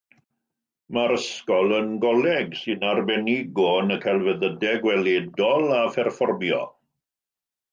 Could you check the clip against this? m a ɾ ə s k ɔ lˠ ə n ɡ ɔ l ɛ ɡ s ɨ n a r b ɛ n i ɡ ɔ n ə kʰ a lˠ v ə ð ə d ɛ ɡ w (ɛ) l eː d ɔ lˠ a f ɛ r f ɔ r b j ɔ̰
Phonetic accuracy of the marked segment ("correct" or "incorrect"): correct